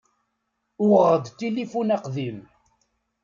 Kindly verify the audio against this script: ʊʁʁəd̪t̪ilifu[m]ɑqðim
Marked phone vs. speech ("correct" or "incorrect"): incorrect